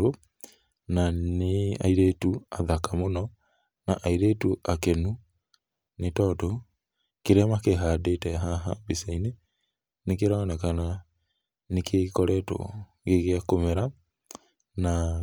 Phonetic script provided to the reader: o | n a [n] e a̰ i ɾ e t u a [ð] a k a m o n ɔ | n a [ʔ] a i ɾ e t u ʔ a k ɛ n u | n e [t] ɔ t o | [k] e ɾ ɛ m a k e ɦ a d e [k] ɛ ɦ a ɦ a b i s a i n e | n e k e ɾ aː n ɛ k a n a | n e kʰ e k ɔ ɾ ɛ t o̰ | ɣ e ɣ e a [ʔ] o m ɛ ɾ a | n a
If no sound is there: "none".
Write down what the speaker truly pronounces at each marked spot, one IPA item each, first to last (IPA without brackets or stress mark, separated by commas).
n, ð, ʔ, t, k, t, k